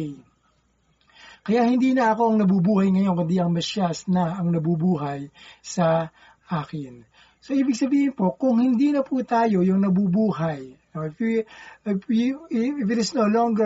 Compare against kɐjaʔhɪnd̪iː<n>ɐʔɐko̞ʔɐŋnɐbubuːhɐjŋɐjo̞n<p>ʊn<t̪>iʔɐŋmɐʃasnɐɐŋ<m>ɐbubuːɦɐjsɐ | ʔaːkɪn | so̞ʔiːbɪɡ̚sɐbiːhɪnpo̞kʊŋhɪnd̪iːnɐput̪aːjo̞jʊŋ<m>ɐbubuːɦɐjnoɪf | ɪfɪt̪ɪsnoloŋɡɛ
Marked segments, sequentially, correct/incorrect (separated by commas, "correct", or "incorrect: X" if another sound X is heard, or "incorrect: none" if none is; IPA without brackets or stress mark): correct, incorrect: k, incorrect: d̪, incorrect: n, incorrect: n